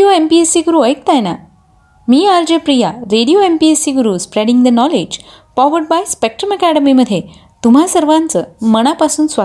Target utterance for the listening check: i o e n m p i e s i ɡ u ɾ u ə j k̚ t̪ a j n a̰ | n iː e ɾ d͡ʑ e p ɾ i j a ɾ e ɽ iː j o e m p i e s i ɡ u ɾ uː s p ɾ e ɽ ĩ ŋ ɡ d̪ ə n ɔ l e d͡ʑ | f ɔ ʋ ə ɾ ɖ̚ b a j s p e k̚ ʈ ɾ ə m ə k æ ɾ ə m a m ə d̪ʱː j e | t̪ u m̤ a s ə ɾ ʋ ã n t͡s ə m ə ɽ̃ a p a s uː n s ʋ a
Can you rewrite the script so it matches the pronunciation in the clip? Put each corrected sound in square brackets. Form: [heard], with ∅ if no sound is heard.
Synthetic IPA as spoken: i o e [∅] m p i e s i ɡ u ɾ u ə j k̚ t̪ a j n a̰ | [m] iː [a] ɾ d͡ʑ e p ɾ i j a ɾ e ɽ [i] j o e m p i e s i ɡ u ɾ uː s p ɾ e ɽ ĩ ŋ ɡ d̪ ə n ɔ l e d͡ʑ | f ɔ ʋ ə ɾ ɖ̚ b a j s p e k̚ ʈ ɾ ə m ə k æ [ɽ] ə m [i] m ə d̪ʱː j e | t̪ u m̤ a s ə ɾ ʋ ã n t͡s ə m ə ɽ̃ a p a s uː n s ʋ a